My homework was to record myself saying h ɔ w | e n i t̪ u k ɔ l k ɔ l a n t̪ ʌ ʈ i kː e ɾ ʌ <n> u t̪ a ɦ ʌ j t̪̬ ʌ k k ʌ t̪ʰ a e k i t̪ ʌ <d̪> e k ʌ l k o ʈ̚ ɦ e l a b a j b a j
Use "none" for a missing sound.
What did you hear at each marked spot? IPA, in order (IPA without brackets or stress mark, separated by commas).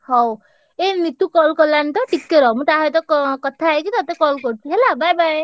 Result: m, t̪